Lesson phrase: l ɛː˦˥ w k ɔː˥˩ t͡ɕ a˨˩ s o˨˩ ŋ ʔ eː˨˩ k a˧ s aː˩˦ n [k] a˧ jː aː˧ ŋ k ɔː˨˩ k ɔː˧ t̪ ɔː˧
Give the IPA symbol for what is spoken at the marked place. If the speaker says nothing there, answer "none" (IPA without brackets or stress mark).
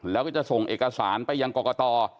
p